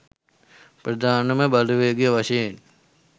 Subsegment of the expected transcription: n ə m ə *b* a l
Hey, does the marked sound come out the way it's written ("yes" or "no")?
yes